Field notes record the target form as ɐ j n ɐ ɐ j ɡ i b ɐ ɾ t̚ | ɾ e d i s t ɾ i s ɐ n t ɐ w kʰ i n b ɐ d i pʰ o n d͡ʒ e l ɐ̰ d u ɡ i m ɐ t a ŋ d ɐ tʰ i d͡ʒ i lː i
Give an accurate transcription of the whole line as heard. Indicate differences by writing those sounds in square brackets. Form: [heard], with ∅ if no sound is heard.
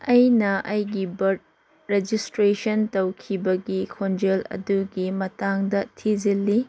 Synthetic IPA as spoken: ɐ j n ɐ ɐ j ɡ i b ɐ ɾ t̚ | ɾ e [d͡ʒ] i s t ɾ [e] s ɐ n t ɐ w kʰ i [∅] b ɐ [ɡ] i [kʰ] o n d͡ʒ e l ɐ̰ d u ɡ i m ɐ t a ŋ d ɐ tʰ i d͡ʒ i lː i